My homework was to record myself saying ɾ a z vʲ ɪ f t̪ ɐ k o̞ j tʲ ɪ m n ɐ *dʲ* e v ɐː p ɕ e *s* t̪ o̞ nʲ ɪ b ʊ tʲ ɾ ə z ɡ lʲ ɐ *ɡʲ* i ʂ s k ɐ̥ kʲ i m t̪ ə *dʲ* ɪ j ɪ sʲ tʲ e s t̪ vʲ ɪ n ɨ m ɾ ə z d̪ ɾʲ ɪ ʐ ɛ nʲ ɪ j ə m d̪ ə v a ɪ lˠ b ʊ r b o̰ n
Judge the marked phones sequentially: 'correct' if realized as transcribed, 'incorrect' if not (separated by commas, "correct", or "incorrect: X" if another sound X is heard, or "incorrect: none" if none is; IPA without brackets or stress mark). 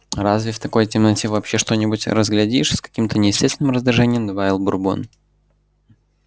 incorrect: tʲ, incorrect: ʂ, incorrect: dʲ, incorrect: nʲ